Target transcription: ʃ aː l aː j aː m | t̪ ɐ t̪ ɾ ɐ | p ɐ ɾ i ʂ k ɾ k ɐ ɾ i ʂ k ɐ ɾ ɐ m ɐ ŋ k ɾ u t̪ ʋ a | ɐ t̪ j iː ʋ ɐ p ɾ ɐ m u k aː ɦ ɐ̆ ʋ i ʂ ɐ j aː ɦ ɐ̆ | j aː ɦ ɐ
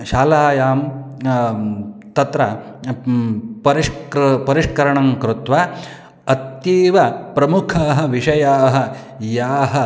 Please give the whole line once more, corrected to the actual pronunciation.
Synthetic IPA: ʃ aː l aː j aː m | t̪ ɐ t̪ ɾ ɐ | p ɐ ɾ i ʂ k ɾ p ɐ ɾ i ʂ k ɐ ɾ ɐ ɳ ɐ ŋ k ɾ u t̪ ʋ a | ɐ t̪ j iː ʋ ɐ p ɾ ɐ m u kʰ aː ɦ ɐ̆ ʋ i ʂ ɐ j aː ɦ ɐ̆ | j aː ɦ ɐ

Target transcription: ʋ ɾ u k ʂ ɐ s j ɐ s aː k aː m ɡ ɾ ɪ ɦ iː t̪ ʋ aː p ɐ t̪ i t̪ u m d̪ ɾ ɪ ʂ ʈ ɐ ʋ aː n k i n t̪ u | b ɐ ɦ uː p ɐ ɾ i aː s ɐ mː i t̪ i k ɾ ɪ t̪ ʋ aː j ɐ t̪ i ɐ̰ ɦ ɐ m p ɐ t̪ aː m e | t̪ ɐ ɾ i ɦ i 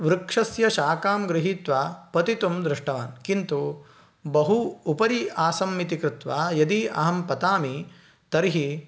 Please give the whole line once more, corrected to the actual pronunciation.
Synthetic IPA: ʋ ɾ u k ʂ ɐ s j ɐ ʃ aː k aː m ɡ ɾ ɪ ɦ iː t̪ ʋ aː p ɐ t̪ i t̪ u m d̪ ɾ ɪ ʂ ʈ ɐ ʋ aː n k i n t̪ u | b ɐ ɦ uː p ɐ ɾ i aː s ɐ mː i t̪ i k ɾ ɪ t̪ ʋ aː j ɐ d̪ i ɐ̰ ɦ ɐ m p ɐ t̪ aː m i | t̪ ɐ ɾ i ɦ i

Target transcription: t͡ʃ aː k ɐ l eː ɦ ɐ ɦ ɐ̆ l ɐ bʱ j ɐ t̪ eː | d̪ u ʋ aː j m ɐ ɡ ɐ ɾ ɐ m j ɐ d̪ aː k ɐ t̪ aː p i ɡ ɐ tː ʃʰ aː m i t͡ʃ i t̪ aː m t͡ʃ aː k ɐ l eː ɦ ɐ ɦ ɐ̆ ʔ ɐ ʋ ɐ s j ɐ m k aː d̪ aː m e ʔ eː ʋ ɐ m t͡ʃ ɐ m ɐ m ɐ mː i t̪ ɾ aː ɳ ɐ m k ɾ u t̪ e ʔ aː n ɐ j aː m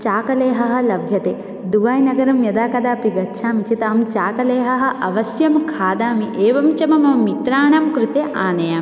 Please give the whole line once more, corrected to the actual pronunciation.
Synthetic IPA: t͡ʃ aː k ɐ l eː ɦ ɐ ɦ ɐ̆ l ɐ bʱ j ɐ t̪ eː | d̪ u ʋ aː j n ɐ ɡ ɐ ɾ ɐ m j ɐ d̪ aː k ɐ d̪ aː p i ɡ ɐ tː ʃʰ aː m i t͡ʃ i t̪ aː m t͡ʃ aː k ɐ l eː ɦ ɐ ɦ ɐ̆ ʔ ɐ ʋ ɐ s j ɐ m kʰ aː d̪ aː m i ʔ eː ʋ ɐ m t͡ʃ ɐ m ɐ m ɐ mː i t̪ ɾ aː ɳ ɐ m k ɾ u t̪ e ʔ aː n ɐ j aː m

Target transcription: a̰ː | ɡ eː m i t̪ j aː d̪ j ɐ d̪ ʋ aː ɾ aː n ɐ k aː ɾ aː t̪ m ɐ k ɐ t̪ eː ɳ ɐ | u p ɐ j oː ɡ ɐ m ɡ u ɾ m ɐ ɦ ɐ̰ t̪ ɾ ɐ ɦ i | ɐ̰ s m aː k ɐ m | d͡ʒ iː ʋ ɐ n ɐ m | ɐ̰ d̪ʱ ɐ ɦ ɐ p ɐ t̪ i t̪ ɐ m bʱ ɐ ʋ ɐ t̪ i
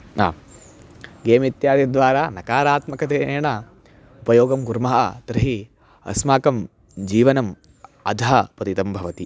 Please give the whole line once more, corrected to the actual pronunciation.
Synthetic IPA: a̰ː | ɡ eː m i t̪ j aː d̪ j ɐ d̪ ʋ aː ɾ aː n ɐ k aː ɾ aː t̪ m ɐ k ɐ t̪ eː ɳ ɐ | u p ɐ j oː ɡ ɐ m ɡ u ɾ m ɐ ɦ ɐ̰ t̪ ɾ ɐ ɦ i | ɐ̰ s m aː k ɐ m | d͡ʒ iː ʋ ɐ n ɐ m | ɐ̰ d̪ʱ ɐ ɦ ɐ p ɐ t̪ i t̪ ɐ m bʱ ɐ ʋ ɐ t̪ i

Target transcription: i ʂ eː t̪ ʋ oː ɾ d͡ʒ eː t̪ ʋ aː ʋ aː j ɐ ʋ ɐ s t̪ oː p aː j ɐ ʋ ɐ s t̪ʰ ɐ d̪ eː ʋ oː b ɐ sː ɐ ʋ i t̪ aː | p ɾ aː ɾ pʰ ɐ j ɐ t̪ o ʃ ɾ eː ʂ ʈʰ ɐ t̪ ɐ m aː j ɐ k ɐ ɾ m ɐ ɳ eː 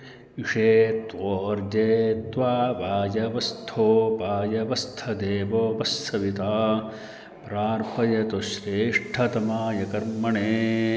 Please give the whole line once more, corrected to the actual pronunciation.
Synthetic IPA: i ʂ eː t̪ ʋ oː ɾ d͡ʒ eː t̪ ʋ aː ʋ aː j ɐ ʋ ɐ s t̪ʰ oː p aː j ɐ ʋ ɐ s t̪ʰ ɐ d̪ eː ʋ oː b ɐ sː ɐ ʋ i t̪ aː | p ɾ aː ɾ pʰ ɐ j ɐ t̪ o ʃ ɾ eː ʂ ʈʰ ɐ t̪ ɐ m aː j ɐ k ɐ ɾ m ɐ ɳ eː

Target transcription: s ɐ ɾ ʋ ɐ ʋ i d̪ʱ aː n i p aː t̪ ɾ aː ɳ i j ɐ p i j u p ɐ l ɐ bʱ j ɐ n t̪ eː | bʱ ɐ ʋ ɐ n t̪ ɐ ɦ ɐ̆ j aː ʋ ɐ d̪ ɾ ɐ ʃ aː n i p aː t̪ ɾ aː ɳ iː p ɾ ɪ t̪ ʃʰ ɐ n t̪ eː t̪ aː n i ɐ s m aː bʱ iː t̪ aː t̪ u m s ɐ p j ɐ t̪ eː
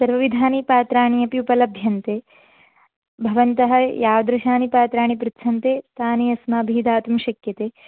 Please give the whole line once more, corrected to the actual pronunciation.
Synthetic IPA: s ɐ ɾ ʋ ɐ ʋ i d̪ʱ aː n i p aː t̪ ɾ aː ɳ i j ɐ p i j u p ɐ l ɐ bʱ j ɐ n t̪ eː | bʱ ɐ ʋ ɐ n t̪ ɐ ɦ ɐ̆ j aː ʋ ɐ d̪ ɾ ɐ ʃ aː n i p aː t̪ ɾ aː ɳ i p ɾ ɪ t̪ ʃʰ ɐ n t̪ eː t̪ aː n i ɐ s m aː bʱ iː d̪ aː t̪ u m ʃ ɐ k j ɐ t̪ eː

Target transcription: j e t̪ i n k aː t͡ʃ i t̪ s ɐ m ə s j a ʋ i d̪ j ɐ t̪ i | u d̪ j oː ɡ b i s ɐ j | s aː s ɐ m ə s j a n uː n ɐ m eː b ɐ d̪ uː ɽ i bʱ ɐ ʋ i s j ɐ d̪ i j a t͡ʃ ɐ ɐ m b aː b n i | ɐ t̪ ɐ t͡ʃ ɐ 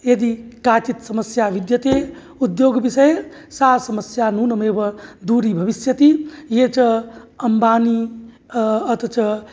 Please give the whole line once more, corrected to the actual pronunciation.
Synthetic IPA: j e d̪ i k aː t͡ʃ i t̪ s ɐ m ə s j a ʋ i d̪ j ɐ t̪ e | u d̪ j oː ɡ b i s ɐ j | s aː s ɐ m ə s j a n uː n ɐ m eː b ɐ d̪ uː ɾ i bʱ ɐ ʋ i s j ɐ t̪ i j e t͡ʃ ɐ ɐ m b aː n i | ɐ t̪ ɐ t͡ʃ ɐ

